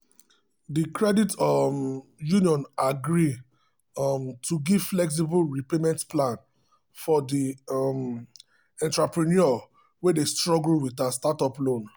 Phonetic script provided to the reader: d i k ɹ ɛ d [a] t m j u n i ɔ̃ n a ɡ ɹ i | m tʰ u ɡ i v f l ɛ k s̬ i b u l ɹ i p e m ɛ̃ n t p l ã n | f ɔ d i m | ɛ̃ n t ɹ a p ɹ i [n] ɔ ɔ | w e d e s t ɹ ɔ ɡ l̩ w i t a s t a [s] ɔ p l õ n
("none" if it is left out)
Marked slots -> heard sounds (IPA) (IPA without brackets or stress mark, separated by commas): i, n, t